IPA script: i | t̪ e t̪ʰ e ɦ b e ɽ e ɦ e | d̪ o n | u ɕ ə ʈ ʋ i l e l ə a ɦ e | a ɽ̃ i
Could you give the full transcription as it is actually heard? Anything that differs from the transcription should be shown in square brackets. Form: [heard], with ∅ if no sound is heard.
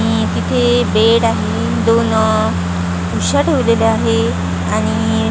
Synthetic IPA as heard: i | t̪ [i] t̪ʰ e [∅] b e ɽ [a] ɦ e | d̪ o n | u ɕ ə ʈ ʋ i l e l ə a ɦ e | a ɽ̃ i